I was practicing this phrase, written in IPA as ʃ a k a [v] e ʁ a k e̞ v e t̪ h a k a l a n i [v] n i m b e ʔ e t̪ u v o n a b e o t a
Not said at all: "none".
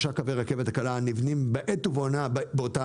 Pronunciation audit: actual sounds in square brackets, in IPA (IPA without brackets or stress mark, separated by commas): v, v